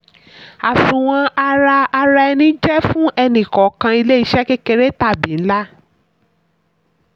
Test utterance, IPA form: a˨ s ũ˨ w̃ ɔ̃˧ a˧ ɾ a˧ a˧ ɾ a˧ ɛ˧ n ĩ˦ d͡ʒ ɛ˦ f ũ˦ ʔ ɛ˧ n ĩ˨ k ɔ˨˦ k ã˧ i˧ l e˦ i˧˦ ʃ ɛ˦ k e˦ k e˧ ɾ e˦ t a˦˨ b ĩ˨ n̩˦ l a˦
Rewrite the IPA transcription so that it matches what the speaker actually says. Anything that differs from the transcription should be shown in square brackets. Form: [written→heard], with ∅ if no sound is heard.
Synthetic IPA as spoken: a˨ s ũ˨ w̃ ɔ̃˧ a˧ ɾ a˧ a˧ ɾ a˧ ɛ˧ n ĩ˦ d͡ʒ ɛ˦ f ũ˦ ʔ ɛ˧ n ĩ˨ k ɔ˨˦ k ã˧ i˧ l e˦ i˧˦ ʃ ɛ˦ k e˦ k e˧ ɾ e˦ t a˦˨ b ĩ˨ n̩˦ l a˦